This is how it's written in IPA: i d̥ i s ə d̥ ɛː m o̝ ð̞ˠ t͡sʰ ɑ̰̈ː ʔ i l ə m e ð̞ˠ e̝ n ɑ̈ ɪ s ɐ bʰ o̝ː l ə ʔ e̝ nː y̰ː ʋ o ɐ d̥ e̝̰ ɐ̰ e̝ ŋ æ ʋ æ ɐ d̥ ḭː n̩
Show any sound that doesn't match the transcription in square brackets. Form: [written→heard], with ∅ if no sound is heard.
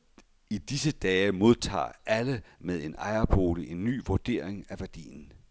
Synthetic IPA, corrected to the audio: i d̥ i s ə d̥ ɛː m o̝ ð̞ˠ t͡sʰ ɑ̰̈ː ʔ [i→æ] l ə m e ð̞ˠ e̝ n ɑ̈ ɪ [s→∅] ɐ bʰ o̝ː l ə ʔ e̝ nː y̰ː ʋ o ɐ d̥ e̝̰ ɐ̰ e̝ ŋ æ ʋ æ ɐ d̥ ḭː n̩

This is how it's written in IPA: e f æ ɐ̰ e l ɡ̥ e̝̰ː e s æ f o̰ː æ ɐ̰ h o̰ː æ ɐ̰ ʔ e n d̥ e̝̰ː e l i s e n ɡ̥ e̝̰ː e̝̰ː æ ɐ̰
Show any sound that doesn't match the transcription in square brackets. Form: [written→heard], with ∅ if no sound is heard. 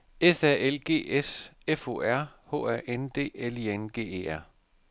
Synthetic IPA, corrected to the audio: e [f→s] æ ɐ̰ e l ɡ̥ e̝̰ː e s [æ→e] f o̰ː æ ɐ̰ h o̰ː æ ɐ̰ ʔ e n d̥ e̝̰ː e l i [s→∅] e n ɡ̥ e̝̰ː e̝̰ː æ ɐ̰

